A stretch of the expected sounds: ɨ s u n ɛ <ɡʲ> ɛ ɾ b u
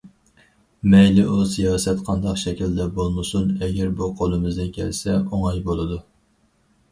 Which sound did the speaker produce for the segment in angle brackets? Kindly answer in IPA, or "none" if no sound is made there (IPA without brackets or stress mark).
ɡʲ